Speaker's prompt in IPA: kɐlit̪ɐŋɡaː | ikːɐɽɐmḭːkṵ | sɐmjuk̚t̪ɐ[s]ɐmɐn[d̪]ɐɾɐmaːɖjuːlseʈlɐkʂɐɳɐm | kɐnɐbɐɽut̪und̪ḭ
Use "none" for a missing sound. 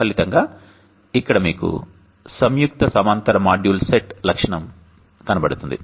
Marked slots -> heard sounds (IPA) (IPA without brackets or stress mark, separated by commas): s, t̪